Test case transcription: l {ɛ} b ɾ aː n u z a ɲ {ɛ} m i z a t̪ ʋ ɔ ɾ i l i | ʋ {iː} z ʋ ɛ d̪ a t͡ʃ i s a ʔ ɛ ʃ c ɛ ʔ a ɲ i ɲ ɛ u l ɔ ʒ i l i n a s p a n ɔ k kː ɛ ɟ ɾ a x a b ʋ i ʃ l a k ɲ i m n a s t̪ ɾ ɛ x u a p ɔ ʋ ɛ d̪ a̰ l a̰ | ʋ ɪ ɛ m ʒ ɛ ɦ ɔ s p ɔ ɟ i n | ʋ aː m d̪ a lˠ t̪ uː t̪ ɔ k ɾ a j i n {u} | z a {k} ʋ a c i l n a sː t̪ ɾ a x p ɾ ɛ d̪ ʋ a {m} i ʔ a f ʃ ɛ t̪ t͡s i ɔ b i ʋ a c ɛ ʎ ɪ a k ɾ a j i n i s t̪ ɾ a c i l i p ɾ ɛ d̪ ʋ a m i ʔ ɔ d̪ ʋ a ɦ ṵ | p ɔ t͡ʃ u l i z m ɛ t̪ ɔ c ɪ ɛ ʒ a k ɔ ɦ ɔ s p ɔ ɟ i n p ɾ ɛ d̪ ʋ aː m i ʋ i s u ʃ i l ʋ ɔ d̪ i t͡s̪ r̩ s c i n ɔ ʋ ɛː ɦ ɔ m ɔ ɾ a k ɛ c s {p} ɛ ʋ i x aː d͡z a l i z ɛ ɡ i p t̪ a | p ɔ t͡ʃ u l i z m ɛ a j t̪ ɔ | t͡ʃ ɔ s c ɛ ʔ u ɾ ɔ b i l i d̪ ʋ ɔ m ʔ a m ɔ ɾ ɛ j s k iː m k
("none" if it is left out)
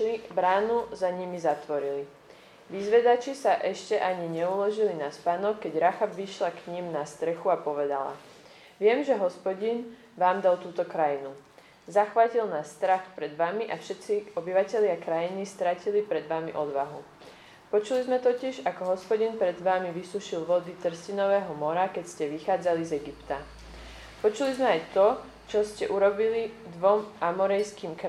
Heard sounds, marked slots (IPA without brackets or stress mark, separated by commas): i, i, i, u, x, m, c